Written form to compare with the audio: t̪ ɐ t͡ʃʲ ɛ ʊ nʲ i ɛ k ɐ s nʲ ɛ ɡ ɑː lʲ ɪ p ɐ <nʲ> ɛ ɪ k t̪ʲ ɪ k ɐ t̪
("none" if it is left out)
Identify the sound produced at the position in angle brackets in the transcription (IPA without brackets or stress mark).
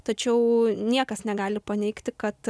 nʲ